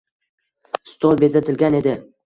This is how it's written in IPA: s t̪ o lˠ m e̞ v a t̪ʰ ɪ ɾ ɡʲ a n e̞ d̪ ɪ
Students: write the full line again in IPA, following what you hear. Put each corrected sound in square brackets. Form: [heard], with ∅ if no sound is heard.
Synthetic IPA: s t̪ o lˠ [b] e̞ [z] a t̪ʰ ɪ [l] ɡʲ a n e̞ d̪ ɪ